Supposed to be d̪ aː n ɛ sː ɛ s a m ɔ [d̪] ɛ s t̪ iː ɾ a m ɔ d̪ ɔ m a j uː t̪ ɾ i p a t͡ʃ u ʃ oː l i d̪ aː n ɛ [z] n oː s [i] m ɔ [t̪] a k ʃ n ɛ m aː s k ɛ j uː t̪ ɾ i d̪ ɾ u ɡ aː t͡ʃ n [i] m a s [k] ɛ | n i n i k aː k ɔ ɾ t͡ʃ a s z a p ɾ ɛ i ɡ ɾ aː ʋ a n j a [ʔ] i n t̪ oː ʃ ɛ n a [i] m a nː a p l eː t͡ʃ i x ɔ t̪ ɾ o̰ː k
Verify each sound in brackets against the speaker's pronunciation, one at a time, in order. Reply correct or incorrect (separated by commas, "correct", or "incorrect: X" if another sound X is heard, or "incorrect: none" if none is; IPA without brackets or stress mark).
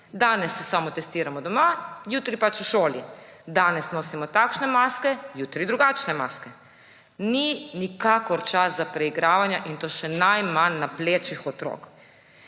incorrect: t̪, incorrect: s, correct, correct, incorrect: ɛ, correct, correct, incorrect: j